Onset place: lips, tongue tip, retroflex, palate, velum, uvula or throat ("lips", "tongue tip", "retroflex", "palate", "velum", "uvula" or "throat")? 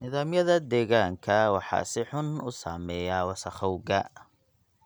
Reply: tongue tip